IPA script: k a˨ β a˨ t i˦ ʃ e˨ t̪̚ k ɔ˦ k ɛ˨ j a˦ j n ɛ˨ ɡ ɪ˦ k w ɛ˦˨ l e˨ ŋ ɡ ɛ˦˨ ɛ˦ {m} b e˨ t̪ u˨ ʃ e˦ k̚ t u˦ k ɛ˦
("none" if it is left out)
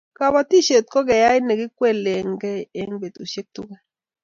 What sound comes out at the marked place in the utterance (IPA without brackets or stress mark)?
ŋ